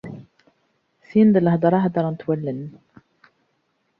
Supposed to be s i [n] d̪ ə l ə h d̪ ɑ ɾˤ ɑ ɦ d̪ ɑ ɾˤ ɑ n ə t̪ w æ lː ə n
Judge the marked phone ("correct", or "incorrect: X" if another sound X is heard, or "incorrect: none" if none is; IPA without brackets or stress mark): correct